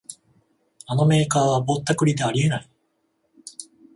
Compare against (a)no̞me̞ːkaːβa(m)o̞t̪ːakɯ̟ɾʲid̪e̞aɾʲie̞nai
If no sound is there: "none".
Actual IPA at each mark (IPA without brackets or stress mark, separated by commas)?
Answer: a, b